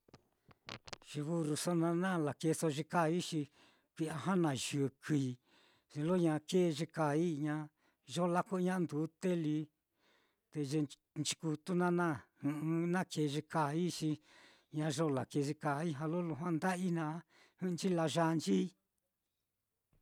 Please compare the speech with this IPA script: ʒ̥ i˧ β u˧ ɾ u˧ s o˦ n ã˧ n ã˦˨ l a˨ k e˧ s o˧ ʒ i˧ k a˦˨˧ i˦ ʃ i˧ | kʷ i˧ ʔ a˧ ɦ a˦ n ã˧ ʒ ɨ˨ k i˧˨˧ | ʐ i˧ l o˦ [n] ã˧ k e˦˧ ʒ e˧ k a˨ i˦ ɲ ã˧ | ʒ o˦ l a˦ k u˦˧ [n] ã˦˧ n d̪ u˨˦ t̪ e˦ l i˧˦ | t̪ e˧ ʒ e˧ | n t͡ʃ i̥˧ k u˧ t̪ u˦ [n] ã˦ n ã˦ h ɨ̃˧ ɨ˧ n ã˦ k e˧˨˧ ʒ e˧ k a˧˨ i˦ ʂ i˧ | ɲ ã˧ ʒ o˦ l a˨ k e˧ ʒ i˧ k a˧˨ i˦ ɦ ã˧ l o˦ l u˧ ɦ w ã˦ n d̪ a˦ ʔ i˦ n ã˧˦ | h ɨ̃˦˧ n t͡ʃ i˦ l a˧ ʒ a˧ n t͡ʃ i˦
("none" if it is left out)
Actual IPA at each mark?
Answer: ɲ, ɲ, n

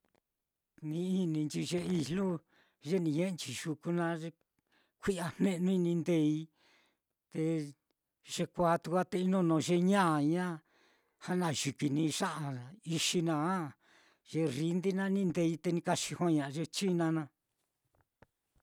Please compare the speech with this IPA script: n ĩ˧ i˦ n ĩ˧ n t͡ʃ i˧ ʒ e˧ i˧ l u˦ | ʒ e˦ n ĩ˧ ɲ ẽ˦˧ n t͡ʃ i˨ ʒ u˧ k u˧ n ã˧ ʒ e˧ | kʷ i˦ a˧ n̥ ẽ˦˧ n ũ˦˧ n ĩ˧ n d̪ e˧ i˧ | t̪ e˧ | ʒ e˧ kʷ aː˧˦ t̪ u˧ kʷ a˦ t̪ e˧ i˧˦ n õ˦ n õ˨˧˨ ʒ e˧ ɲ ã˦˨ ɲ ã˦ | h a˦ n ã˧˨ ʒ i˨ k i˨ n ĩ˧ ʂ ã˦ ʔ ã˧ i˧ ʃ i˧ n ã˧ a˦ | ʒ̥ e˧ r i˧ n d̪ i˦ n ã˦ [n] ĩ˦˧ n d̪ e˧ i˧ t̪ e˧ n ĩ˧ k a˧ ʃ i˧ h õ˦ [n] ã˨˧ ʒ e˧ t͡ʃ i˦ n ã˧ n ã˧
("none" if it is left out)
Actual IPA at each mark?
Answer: n, ɲ

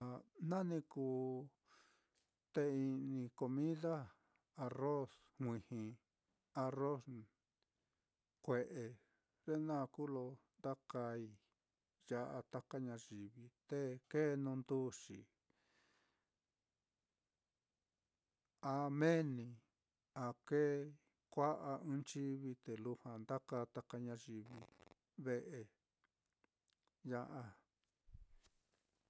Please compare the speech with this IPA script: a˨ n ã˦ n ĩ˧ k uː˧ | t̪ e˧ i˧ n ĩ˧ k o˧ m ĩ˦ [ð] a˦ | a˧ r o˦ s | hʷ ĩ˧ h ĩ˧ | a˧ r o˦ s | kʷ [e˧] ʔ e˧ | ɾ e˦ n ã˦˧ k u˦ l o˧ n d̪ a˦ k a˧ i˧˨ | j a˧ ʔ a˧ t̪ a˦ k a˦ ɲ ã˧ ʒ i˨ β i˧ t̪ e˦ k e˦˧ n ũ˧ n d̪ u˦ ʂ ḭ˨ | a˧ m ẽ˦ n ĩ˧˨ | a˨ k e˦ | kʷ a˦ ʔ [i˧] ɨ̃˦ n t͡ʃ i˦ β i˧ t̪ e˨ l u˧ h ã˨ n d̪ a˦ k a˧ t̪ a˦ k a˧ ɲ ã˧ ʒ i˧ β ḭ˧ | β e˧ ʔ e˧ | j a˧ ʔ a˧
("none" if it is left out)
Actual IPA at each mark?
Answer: ð, e˧, a˧

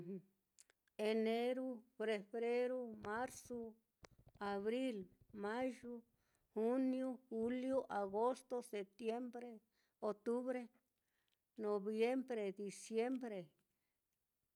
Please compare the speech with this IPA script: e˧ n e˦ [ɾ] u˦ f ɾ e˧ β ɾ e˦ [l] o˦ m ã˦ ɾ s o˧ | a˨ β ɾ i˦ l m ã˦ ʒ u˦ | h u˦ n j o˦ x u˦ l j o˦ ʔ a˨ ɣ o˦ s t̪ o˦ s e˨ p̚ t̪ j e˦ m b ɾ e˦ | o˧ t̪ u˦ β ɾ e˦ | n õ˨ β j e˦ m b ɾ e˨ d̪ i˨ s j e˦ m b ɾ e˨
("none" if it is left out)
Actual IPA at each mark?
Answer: ɾ, ɾ

